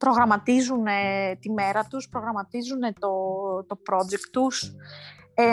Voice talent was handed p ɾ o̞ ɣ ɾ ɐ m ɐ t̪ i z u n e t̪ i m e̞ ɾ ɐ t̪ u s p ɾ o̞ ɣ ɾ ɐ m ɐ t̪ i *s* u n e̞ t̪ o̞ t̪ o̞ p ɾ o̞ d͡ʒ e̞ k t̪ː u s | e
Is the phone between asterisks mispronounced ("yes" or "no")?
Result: yes